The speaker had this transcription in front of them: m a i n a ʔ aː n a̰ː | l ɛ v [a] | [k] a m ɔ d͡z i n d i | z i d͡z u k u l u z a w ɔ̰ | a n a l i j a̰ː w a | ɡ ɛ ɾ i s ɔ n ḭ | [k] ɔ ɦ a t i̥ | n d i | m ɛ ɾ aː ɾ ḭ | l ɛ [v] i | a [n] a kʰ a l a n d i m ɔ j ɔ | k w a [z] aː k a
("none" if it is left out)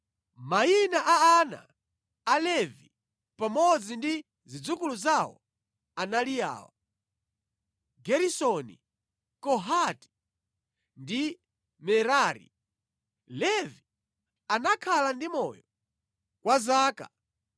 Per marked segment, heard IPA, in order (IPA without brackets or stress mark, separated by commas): i, p, k, v, n, z